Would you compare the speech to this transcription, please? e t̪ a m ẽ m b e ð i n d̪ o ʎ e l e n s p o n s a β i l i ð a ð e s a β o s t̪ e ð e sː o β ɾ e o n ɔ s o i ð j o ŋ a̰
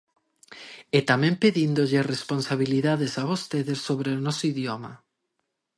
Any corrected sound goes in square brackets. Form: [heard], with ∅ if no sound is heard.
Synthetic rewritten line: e t̪ a m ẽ m [p] e ð i n d̪ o ʎ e [r] e [∅] s p o n s a β i l i ð a ð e s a β o s t̪ e ð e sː o β ɾ e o n ɔ s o i ð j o [m] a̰